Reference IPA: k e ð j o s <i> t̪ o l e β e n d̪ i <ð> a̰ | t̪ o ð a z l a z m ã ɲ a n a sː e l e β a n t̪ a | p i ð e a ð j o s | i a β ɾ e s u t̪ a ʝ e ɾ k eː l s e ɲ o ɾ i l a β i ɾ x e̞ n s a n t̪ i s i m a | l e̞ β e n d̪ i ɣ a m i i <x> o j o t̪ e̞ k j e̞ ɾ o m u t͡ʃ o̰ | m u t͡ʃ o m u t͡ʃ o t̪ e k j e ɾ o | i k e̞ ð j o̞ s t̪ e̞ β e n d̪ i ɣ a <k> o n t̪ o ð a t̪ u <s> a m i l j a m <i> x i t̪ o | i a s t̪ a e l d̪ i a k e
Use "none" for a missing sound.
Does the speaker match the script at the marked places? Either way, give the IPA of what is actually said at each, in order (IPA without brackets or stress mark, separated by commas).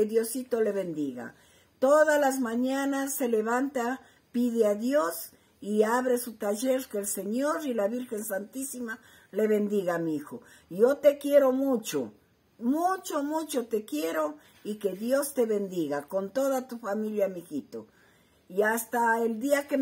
i, ɣ, x, k, f, i